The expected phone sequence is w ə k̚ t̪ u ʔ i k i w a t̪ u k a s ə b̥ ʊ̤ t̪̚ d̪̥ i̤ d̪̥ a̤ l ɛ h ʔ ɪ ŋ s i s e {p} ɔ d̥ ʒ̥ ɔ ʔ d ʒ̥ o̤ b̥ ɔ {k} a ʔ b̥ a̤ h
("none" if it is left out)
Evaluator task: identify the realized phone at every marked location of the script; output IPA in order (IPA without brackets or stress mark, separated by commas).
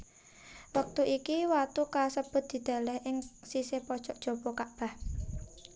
p, k